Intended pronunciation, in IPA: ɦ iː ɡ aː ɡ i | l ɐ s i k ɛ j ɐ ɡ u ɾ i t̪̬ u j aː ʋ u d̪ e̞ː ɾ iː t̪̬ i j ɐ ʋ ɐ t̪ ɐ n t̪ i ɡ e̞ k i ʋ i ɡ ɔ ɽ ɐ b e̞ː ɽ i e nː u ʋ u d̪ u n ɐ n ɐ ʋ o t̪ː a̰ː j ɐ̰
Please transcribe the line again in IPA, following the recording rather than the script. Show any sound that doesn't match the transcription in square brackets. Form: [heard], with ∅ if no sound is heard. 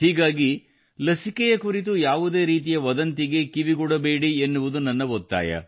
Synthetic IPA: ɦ iː ɡ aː ɡ i | l ɐ s i k ɛ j ɐ [k] u ɾ i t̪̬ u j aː ʋ u d̪ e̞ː ɾ iː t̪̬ i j ɐ ʋ ɐ [d̪] ɐ n t̪ i ɡ e̞ k i ʋ i ɡ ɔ ɽ ɐ b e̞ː ɽ i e nː u ʋ u d̪ u n ɐ [nː] ɐ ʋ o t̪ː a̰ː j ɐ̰